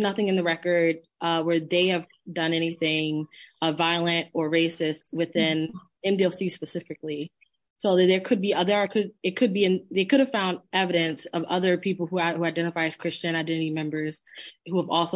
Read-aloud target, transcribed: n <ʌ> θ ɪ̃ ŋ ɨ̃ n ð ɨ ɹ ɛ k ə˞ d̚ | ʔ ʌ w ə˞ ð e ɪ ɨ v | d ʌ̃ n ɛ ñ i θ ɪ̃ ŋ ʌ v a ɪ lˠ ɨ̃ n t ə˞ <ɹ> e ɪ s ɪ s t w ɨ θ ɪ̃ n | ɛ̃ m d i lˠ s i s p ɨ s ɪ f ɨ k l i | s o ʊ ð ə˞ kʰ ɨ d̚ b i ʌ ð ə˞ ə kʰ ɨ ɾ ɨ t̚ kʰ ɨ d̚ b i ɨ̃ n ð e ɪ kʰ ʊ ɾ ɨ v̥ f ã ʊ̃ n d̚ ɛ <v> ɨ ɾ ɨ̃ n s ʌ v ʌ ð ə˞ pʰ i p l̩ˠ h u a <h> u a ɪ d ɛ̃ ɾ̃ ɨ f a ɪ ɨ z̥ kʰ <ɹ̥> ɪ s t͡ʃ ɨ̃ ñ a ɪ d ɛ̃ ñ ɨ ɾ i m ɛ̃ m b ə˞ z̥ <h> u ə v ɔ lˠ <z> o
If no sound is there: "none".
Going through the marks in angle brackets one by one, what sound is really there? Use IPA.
ʌ, ɹ, v, h, ɹ̥, h, s

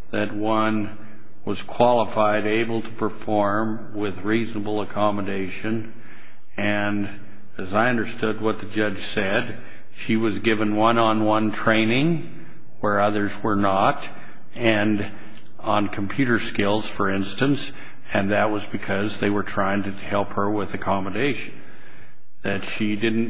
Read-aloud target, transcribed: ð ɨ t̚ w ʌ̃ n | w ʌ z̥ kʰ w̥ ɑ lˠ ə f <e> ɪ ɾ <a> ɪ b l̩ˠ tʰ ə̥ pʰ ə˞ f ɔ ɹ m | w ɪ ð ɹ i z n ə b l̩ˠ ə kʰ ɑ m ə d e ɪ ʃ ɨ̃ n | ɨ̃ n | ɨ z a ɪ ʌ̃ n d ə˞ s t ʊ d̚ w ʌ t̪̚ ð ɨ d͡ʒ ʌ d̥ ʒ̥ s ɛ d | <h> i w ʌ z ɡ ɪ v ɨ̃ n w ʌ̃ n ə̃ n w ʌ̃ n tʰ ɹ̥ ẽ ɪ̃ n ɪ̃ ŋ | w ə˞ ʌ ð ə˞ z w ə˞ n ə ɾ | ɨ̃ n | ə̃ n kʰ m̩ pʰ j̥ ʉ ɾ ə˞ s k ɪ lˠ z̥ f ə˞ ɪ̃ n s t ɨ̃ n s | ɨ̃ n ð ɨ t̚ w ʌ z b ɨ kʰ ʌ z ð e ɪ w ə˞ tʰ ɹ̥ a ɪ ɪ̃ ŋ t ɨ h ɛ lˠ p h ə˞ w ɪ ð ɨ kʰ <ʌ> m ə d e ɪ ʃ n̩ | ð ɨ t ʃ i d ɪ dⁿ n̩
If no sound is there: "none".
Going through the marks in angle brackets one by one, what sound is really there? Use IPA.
a, e, ʃ, ɑ

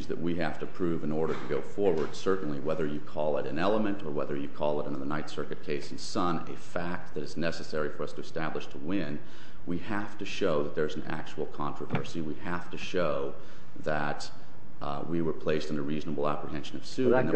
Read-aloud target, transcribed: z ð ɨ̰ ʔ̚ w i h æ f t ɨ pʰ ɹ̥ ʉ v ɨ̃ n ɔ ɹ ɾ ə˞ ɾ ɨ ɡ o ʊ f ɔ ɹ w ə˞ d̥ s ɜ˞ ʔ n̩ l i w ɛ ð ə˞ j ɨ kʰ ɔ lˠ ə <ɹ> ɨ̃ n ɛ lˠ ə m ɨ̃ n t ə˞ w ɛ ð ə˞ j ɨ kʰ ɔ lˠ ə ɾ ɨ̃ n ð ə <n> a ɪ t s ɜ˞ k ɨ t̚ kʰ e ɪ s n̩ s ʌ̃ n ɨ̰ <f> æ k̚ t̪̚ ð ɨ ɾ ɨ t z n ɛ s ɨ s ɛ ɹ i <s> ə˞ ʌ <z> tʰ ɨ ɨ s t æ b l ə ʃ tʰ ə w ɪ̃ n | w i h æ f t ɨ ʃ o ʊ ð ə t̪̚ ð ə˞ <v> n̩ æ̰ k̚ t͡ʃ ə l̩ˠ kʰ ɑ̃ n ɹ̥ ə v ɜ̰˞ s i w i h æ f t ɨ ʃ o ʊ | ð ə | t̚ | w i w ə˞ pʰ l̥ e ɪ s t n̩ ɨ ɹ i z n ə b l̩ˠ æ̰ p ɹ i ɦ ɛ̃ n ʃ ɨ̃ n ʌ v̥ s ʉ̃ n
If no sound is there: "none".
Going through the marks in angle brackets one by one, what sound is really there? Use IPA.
ɾ, n, f, f, s, z

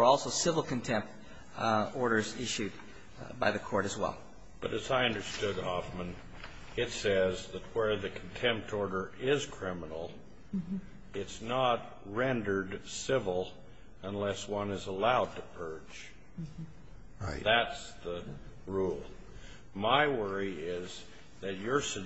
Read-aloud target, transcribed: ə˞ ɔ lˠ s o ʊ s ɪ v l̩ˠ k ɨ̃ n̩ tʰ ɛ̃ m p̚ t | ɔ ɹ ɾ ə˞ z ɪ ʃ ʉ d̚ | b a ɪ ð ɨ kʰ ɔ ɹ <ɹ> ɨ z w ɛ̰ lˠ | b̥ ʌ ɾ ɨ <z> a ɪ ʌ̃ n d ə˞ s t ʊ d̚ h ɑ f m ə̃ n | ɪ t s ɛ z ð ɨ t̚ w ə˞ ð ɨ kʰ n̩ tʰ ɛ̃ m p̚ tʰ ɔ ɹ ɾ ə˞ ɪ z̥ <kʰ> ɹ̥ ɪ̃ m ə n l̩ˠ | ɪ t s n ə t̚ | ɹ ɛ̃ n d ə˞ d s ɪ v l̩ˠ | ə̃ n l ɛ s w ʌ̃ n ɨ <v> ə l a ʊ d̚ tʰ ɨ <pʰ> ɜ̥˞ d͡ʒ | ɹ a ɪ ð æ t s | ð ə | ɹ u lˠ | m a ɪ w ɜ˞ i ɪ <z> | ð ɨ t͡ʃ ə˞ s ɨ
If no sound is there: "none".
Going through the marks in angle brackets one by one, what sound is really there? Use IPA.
ɾ, z, kʰ, z, pʰ, z

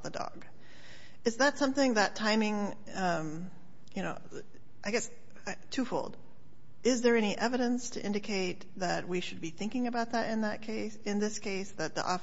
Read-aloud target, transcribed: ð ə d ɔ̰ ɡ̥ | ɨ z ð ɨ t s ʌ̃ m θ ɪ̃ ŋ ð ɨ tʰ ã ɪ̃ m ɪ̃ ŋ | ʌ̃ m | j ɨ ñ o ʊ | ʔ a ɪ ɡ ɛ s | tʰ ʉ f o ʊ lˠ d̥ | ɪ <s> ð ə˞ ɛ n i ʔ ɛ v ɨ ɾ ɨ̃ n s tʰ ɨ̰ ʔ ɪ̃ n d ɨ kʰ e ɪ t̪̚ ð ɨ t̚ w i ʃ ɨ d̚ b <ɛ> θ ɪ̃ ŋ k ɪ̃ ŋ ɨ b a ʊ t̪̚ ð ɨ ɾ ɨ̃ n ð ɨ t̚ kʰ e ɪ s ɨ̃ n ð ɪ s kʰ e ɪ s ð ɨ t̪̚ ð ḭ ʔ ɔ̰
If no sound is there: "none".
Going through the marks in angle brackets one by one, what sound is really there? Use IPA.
z, i

